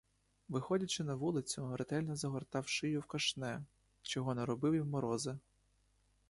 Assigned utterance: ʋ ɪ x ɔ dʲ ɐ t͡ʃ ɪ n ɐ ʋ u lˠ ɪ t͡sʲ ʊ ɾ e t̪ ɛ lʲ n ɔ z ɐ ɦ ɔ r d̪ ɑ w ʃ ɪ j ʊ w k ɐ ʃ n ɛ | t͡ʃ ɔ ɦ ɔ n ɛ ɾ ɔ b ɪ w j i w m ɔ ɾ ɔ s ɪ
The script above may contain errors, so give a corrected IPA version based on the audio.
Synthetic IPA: ʋ ɪ x ɔ dʲ ɐ t͡ʃ ɪ n ɐ ʋ u lˠ ɪ t͡sʲ ʊ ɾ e t̪ ɛ lʲ n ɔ z ɐ ɦ ɔ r t̪ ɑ w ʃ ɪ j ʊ w k ɐ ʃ n ɛ | t͡ʃ ɔ ɦ ɔ n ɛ ɾ ɔ b ɪ w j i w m ɔ ɾ ɔ z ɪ